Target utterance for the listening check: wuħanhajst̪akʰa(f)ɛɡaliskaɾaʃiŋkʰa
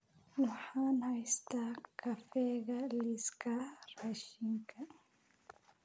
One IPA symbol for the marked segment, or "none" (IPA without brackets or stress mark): f